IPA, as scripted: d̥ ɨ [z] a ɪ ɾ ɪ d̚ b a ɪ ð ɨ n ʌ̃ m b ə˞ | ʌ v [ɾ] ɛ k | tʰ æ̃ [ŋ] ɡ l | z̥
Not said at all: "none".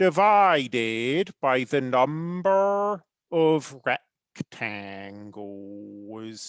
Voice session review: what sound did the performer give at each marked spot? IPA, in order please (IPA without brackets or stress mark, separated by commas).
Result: v, ɹ, ŋ